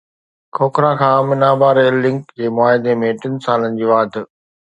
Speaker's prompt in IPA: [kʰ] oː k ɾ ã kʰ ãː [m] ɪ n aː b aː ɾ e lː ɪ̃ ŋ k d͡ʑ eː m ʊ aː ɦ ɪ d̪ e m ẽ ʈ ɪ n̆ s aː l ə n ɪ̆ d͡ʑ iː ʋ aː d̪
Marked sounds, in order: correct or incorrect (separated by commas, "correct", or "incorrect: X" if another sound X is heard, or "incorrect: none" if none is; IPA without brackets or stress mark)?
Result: correct, correct